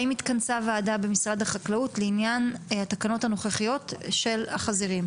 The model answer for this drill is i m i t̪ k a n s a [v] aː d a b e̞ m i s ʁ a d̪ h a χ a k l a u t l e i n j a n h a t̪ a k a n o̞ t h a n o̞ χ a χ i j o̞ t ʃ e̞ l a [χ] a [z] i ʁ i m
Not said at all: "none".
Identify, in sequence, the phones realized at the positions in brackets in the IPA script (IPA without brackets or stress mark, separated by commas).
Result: v, χ, z